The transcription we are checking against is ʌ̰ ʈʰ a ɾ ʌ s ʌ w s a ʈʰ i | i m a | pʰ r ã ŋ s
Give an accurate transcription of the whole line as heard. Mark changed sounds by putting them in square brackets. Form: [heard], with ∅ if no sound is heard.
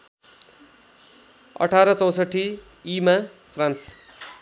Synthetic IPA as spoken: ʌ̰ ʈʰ a ɾ ʌ [t͡s] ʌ w s [ʌ] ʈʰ i | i m a | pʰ r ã [n] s